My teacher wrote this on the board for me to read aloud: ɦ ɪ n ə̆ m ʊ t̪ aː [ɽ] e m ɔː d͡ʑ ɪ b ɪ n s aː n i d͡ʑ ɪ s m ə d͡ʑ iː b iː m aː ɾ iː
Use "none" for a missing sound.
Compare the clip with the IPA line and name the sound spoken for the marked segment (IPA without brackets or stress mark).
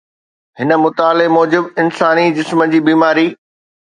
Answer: l